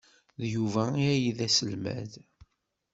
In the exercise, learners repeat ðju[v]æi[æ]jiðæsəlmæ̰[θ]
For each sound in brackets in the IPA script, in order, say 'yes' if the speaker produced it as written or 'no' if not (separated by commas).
yes, yes, no